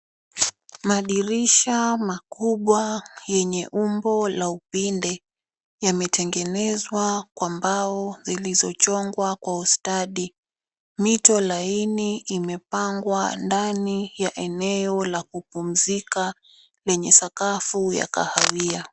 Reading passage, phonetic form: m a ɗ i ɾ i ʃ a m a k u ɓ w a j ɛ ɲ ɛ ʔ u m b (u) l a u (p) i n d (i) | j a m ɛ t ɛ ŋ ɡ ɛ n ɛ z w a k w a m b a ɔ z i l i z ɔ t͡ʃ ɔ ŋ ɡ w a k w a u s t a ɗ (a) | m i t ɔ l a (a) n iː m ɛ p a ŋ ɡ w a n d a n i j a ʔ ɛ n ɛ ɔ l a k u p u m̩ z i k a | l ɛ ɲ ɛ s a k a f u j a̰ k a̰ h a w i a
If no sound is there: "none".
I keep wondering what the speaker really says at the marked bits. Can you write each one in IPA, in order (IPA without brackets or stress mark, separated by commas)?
ɔ, p, ɛ, i, i